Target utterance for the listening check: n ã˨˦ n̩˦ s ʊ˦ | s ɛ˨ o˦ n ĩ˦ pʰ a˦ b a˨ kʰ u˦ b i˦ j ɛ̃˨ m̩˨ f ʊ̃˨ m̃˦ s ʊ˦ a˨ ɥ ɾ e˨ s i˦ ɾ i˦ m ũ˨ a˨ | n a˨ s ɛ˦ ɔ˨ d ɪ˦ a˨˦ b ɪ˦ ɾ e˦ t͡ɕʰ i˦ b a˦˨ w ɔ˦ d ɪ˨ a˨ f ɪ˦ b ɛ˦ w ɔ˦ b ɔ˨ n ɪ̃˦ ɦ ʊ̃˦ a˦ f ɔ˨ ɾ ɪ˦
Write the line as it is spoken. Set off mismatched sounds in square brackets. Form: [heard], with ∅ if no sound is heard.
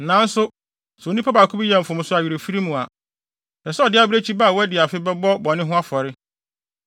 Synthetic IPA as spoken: n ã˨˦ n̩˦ s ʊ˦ | s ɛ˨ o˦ n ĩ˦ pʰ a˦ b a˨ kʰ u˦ b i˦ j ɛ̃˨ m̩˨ f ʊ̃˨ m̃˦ s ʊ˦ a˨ ɥ ɾ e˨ [f] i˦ ɾ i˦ m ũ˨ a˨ | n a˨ s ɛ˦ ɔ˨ d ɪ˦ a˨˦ b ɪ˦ ɾ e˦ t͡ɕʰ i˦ b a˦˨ w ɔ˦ d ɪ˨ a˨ f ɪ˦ b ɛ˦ [b] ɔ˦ b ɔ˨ n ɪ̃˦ ɦ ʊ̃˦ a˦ f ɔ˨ ɾ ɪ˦